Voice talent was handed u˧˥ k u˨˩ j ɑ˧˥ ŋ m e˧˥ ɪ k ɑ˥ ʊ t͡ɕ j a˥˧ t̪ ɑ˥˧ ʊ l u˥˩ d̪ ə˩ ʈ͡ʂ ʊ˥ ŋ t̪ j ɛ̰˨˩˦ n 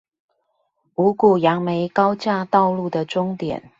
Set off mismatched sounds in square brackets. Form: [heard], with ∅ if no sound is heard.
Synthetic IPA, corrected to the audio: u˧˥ k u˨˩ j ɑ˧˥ ŋ m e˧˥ ɪ k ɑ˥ ʊ t͡ɕ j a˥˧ t̪ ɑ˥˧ ʊ l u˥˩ d̪ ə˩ ʈ͡ʂ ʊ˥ ŋ t̪ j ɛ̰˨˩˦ n